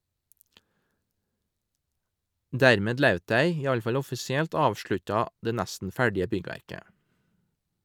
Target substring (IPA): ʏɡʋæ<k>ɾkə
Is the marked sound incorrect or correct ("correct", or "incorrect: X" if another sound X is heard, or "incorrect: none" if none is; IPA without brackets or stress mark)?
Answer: incorrect: none